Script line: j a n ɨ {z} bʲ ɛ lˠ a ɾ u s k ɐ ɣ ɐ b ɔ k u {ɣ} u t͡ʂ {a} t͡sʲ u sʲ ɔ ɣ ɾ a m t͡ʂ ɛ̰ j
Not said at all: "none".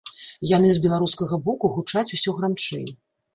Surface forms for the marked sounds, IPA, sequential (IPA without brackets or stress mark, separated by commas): z, ɣ, a